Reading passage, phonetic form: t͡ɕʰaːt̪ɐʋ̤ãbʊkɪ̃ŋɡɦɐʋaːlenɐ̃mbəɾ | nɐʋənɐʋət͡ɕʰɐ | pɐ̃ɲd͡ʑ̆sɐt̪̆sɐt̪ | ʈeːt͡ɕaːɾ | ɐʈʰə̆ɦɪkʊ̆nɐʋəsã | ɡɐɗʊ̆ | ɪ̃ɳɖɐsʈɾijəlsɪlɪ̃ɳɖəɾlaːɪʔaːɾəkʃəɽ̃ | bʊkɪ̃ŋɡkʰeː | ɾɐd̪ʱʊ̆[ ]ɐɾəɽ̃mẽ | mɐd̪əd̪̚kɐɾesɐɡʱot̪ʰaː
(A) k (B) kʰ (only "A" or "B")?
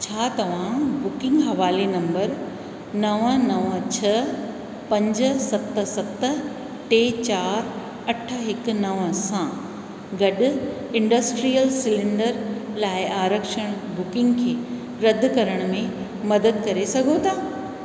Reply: A